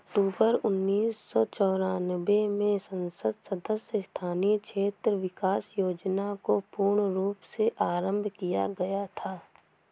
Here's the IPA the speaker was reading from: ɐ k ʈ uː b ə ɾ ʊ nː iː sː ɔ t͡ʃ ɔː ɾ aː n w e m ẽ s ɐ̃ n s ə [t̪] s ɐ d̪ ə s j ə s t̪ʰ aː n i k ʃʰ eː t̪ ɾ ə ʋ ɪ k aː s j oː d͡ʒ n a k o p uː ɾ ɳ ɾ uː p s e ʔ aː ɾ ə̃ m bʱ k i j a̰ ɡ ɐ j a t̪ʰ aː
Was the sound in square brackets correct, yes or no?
no